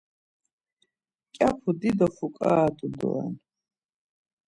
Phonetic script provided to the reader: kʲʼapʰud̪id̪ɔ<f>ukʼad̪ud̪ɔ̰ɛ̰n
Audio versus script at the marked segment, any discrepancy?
no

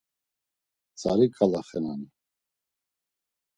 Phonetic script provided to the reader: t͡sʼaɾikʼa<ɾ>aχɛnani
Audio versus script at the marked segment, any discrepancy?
yes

